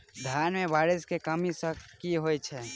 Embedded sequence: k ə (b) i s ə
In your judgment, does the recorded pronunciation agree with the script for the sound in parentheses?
no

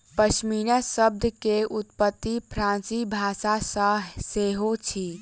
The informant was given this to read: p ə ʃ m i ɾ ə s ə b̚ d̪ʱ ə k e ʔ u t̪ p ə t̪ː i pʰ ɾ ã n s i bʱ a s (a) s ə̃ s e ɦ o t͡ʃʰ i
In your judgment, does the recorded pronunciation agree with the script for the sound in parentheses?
yes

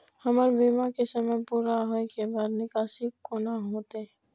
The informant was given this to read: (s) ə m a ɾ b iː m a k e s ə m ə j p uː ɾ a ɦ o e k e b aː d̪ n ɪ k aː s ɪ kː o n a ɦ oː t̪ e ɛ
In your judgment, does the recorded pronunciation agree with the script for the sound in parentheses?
no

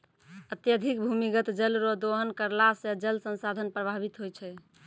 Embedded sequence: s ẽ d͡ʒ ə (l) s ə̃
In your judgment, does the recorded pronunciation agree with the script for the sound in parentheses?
yes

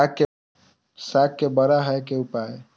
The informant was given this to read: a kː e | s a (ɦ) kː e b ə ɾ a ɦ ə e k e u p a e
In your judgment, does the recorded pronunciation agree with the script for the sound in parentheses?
no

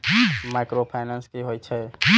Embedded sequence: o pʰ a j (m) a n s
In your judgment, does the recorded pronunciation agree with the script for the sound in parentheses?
no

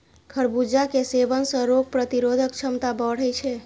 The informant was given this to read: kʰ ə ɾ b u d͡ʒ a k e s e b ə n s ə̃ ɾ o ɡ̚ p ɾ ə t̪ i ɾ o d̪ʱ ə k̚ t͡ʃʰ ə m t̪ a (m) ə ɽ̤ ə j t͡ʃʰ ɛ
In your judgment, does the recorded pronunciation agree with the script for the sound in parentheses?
no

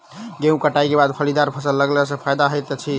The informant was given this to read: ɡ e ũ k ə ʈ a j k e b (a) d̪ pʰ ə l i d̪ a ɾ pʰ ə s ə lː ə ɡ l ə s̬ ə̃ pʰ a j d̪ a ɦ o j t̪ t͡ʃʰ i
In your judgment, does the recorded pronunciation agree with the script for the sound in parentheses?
yes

